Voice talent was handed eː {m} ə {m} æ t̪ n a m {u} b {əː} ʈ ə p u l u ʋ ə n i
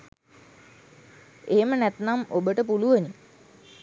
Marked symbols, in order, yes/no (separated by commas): yes, no, no, no